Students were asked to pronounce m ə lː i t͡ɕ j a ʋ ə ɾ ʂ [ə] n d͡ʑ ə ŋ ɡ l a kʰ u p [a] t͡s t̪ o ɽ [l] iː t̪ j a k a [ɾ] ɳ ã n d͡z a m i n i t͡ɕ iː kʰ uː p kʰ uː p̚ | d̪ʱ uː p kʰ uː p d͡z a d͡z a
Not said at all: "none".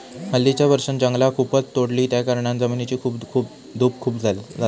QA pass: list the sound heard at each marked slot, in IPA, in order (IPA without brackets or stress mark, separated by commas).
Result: ə, ə, l, ɾ